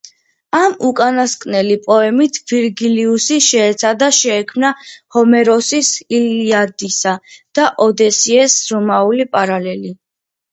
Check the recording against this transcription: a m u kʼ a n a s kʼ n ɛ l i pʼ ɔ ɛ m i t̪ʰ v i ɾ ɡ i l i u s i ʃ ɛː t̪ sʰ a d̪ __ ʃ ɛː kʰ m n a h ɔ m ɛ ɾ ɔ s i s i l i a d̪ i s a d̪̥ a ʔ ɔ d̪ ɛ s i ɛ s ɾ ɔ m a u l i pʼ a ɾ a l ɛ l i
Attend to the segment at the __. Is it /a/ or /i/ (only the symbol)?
a